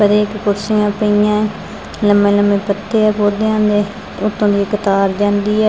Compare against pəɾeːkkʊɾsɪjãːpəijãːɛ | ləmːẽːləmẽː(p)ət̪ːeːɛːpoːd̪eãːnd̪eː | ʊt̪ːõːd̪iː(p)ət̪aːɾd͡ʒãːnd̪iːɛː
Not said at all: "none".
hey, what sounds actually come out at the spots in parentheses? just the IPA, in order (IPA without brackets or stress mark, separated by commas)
p, k